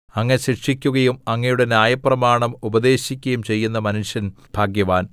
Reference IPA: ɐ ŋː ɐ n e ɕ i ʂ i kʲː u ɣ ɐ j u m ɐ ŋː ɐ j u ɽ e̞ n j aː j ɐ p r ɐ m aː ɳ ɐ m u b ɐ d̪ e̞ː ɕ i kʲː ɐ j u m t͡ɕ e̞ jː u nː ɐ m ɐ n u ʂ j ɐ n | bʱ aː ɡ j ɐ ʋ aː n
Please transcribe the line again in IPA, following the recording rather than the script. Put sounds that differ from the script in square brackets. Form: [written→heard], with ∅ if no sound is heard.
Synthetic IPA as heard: ɐ ŋː ɐ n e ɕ i ʂ i kʲː u ɣ ɐ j u m ɐ ŋː ɐ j u ɽ e̞ n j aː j ɐ p r ɐ m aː ɳ ɐ m u b ɐ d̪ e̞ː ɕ i kʲː ɐ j u m t͡ɕ e̞ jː u nː ɐ m ɐ n u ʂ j ɐ n | bʱ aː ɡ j ɐ ʋ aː n